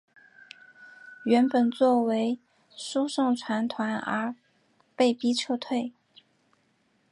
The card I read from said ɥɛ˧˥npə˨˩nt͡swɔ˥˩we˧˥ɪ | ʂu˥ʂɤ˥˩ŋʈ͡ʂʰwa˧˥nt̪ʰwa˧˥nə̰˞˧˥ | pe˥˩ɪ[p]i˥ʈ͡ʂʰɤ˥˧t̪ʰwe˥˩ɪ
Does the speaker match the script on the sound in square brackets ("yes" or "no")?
yes